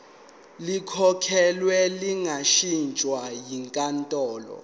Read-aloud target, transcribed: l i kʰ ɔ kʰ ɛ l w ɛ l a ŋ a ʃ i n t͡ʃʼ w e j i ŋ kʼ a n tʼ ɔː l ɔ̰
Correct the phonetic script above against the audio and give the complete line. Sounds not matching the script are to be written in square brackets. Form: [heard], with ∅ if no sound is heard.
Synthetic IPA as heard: l i kʰ ɔ kʰ ɛ l w ɛ l [i] ŋ a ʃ i n t͡ʃʼ w [a] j i ŋ kʼ a n tʼ ɔː l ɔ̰